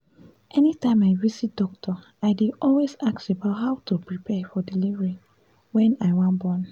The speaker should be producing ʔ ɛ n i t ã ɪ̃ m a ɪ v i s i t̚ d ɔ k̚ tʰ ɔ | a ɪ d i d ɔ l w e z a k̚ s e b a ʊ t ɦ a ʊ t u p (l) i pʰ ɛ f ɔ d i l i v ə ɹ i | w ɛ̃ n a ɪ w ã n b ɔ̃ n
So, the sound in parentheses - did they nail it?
no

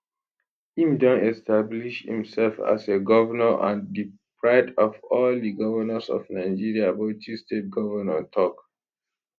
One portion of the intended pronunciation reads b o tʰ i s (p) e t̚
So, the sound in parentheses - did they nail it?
no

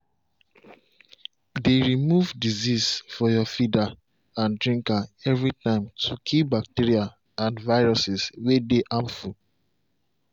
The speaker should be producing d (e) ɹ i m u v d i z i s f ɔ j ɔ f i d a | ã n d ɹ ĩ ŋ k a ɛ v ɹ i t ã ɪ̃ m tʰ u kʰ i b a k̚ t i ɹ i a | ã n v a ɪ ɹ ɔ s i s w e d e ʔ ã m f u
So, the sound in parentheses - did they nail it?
yes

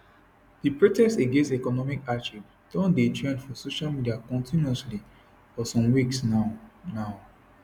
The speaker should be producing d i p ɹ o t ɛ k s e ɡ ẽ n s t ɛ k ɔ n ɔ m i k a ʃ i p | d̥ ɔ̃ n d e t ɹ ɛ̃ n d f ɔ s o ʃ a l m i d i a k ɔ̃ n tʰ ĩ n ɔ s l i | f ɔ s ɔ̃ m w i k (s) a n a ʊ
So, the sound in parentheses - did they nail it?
yes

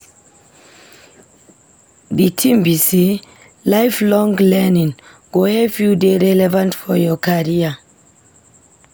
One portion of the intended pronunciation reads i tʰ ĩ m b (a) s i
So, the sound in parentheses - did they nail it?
no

